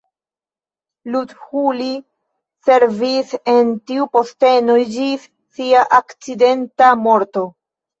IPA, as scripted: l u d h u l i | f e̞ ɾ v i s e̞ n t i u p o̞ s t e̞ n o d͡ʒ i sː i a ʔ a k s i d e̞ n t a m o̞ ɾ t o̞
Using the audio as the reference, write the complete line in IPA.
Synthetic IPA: l u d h u l i | s e̞ ɾ v i s e̞ n t i u p o̞ s t e̞ n o d͡ʒ i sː i a ʔ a k t͡s i d e̞ n t a m o̞ ɾ t o̞